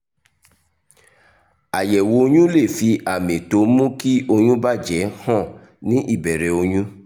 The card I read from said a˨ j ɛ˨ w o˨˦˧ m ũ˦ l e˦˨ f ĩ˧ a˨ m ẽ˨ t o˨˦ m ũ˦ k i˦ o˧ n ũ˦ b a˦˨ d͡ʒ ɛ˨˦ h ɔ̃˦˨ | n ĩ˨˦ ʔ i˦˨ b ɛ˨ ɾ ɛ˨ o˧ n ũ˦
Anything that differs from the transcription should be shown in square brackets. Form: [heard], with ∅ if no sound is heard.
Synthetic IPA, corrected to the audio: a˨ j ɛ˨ w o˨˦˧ [ɲ] ũ˦ l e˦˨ f [i˧] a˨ m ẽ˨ t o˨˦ m ũ˦ k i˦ o˧ [ɲ] ũ˦ b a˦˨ d͡ʒ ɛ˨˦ h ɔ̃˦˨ | n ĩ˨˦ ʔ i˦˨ b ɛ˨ ɾ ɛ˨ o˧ [ɲ] ũ˦

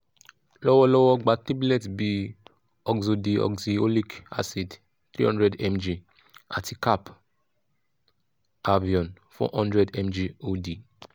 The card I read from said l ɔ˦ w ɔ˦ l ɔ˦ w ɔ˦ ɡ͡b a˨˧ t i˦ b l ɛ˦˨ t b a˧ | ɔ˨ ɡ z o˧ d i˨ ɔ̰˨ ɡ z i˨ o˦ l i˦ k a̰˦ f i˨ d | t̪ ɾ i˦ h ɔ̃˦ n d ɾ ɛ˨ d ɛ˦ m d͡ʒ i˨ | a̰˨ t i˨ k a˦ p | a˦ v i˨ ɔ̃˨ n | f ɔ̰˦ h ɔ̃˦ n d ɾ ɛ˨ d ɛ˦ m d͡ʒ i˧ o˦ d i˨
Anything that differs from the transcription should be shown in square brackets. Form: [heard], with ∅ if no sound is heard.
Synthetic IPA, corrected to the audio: l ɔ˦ w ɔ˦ l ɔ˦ w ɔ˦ ɡ͡b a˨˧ t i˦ b l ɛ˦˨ t b [i˧] | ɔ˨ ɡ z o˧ d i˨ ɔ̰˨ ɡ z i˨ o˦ l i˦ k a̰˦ [s] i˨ d | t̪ ɾ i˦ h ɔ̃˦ n d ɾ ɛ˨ d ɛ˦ m d͡ʒ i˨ | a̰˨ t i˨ k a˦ p | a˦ v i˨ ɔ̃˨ n | f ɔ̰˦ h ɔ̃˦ n d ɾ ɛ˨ d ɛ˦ m d͡ʒ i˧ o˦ d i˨

